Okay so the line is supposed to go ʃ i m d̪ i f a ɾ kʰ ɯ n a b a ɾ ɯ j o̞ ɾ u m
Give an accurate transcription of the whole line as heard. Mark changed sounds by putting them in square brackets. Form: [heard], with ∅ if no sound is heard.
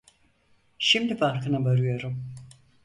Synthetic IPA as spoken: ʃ i m d̪ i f a ɾ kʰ ɯ n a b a ɾ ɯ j o̞ ɾ u m